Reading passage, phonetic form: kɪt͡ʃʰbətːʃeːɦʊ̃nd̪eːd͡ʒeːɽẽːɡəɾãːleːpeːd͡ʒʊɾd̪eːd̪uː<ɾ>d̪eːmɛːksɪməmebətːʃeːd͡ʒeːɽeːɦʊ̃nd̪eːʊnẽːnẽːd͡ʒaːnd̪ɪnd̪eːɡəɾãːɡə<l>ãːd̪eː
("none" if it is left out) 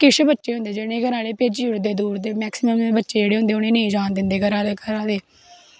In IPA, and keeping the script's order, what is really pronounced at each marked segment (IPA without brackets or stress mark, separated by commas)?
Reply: ɾ, ɾ